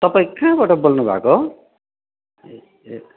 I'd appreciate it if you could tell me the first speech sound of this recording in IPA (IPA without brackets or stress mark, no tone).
t̪